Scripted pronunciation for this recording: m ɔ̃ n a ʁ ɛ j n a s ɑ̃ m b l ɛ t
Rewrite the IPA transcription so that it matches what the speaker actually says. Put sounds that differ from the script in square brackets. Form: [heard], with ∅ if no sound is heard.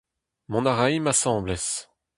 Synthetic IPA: m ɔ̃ n a ʁ [a] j [m] a s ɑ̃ [∅] b l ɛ [s]